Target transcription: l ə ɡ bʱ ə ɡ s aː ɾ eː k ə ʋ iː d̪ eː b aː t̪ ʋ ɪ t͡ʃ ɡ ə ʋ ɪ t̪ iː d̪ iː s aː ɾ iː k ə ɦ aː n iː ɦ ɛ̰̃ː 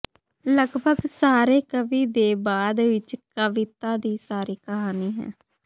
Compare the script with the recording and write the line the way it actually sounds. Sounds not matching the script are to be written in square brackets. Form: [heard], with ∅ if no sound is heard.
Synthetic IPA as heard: l ə ɡ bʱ ə ɡ s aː ɾ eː k ə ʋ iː d̪ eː b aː [d̪] ʋ ɪ t͡ʃ [k] ə ʋ ɪ t̪ [aː] d̪ iː s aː ɾ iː k ə ɦ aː n iː ɦ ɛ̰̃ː